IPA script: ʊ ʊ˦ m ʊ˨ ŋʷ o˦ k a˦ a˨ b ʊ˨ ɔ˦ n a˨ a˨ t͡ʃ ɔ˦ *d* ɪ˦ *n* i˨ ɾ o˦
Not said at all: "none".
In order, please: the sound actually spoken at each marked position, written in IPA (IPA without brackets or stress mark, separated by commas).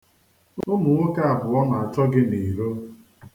ɡ, n